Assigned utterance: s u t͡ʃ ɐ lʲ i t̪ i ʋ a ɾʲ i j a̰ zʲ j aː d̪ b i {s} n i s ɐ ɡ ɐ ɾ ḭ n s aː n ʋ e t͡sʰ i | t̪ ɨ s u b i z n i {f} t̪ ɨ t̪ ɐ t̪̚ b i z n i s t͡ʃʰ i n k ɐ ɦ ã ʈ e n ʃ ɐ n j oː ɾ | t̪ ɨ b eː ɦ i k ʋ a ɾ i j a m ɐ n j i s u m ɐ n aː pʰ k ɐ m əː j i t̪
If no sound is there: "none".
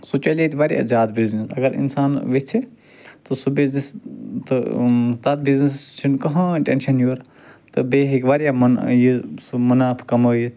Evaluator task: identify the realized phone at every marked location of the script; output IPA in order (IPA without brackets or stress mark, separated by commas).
z, s